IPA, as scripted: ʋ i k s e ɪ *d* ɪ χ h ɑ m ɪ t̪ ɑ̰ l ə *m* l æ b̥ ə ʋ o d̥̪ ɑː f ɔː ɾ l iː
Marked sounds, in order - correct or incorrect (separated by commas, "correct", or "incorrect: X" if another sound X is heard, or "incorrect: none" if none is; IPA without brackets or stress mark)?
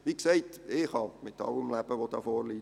incorrect: t, correct